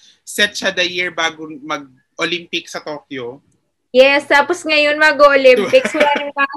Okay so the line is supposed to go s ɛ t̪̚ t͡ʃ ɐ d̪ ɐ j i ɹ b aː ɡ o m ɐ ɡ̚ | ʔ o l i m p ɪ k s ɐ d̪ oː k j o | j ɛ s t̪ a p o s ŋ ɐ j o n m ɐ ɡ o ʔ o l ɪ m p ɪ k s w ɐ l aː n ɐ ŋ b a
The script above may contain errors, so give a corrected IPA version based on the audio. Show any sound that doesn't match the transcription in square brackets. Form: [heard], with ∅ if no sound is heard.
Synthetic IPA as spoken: s ɛ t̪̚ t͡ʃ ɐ d̪ ɐ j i ɹ b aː ɡ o m ɐ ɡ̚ | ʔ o l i m p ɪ k s ɐ [t̪] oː k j o | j ɛ s t̪ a p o s ŋ ɐ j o n m ɐ ɡ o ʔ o l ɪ m p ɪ k s w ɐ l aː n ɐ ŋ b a